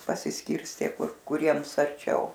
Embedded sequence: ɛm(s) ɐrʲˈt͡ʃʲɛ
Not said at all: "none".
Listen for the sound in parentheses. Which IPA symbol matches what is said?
s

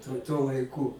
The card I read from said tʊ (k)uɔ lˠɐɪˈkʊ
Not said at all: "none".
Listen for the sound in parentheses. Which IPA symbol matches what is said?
t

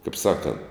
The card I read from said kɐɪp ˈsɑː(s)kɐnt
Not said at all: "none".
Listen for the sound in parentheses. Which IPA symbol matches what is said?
none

